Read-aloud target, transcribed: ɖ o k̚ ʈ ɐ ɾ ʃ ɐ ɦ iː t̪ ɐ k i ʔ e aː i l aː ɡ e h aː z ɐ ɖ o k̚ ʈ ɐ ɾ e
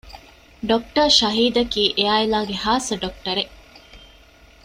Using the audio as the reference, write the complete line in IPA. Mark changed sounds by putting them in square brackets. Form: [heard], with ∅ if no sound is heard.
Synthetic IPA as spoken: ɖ o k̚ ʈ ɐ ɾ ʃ ɐ ɦ iː [d̪] ɐ k [iː] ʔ e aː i l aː ɡ e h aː [s] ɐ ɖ o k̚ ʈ ɐ ɾ e